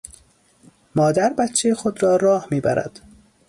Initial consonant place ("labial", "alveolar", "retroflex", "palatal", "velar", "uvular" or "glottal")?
labial